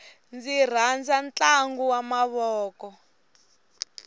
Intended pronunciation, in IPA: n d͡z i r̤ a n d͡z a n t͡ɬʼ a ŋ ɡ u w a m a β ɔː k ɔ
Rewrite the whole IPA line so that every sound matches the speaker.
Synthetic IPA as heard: n d͡z i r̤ a n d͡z a n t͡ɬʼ a ŋ ɡ u w a m a β ɔː k ɔ

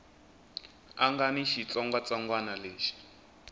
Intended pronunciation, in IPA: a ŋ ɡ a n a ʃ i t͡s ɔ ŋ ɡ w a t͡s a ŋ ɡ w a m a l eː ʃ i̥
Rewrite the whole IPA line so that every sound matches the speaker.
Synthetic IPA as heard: a ŋ ɡ a n i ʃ i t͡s ɔ ŋ ɡ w a t͡s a ŋ ɡ w a n a l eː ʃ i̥

